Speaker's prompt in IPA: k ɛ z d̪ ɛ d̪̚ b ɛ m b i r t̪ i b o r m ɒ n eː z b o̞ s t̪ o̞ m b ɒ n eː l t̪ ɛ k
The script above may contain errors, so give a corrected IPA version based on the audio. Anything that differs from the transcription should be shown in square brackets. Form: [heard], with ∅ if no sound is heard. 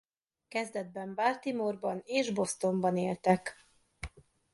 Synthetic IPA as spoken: k ɛ z d̪ ɛ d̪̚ b ɛ m b [a] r t̪ i [m] o r [b] ɒ n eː [ʒ] b o̞ s t̪ o̞ m b ɒ n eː l t̪ ɛ k